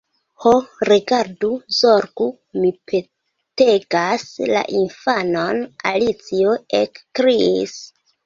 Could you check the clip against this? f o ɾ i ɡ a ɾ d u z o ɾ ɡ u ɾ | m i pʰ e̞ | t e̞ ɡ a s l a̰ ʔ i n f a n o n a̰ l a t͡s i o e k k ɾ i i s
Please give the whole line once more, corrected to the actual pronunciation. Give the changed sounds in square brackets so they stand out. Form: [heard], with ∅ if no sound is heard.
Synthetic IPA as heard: [h] o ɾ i ɡ a ɾ d u z o ɾ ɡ u [∅] | m i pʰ e̞ | t e̞ ɡ a s l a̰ ʔ i n f a n o n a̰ l [i] t͡s i o e k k ɾ i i s